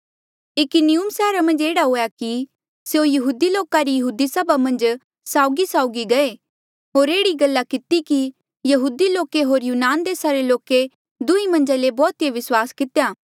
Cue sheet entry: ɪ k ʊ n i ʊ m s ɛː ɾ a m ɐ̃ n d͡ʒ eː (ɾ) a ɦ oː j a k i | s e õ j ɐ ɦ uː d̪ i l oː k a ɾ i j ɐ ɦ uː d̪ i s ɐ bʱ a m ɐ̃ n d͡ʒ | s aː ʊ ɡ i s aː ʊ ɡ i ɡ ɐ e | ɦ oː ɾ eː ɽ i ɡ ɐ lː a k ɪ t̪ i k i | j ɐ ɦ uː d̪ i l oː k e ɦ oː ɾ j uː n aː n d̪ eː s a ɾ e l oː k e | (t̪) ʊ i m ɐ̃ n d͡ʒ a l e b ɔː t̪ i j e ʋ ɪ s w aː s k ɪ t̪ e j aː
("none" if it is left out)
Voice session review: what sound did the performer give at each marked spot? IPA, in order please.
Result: ɽ, d̪

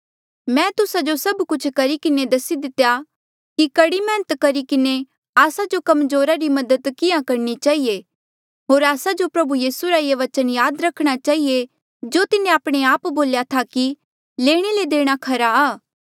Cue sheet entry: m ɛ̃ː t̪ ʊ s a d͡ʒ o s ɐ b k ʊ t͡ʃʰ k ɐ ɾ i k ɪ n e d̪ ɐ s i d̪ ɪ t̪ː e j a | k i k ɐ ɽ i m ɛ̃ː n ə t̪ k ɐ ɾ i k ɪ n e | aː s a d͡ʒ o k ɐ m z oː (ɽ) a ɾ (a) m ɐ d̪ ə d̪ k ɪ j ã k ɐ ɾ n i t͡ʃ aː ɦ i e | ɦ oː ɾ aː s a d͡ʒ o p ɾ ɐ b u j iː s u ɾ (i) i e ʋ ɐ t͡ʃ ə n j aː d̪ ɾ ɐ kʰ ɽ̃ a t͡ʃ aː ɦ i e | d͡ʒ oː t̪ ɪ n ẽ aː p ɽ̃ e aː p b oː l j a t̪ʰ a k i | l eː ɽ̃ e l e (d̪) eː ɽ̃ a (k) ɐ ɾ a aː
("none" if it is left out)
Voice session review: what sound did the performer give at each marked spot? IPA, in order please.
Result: ɾ, i, a, d̪, kʰ

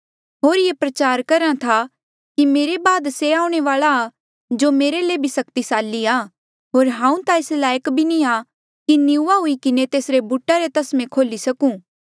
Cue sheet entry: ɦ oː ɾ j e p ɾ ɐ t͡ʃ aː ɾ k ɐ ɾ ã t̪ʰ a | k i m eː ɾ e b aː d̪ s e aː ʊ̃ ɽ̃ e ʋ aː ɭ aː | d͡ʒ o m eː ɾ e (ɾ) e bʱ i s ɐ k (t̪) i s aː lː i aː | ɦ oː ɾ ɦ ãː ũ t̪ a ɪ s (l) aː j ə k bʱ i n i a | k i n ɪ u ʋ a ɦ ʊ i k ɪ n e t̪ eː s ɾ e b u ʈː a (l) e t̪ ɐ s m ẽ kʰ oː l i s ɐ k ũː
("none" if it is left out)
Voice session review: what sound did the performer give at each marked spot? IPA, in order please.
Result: l, t̪, l, ɾ

